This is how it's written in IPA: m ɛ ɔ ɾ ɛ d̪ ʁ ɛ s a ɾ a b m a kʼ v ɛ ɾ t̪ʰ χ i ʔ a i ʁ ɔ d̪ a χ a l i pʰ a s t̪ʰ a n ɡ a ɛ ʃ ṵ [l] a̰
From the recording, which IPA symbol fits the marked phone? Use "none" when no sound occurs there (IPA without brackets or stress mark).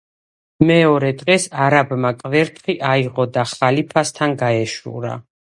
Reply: ɾ